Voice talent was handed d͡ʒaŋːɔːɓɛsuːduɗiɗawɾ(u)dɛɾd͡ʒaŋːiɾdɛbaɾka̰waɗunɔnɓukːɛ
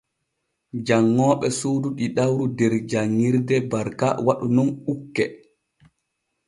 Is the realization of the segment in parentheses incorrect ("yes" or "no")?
no